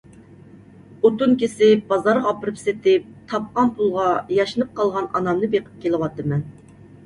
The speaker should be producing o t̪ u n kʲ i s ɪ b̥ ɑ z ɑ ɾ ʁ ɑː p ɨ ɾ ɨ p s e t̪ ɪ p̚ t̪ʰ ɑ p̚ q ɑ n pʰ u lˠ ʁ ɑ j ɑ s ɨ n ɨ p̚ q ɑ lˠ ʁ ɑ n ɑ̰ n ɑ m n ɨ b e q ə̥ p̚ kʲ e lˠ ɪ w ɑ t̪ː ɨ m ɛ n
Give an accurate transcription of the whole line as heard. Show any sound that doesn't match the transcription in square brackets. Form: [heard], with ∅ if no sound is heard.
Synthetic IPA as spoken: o t̪ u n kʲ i s ɪ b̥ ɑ z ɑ ɾ ʁ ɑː p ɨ ɾ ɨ p s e t̪ ɪ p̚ t̪ʰ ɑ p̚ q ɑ n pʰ u lˠ ʁ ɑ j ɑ [ʃ] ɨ n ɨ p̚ q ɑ lˠ ʁ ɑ n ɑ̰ n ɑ m n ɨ b e q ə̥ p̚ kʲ e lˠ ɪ w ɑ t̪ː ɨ m ɛ n

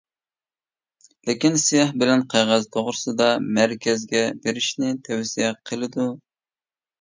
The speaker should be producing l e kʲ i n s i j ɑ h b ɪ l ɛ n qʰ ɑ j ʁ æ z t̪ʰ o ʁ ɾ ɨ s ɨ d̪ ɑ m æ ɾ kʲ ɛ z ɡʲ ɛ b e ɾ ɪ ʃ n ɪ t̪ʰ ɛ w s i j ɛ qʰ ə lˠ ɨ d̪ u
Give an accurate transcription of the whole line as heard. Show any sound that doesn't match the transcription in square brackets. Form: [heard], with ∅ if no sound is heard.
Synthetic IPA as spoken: l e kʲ i n s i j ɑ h b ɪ l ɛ n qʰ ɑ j ʁ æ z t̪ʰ o ʁ ɾ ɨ s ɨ d̪ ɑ m æ ɾ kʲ ɛ z ɡʲ ɛ b e ɾ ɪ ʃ n ɪ t̪ʰ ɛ w s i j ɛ qʰ ə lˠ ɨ d̪ u

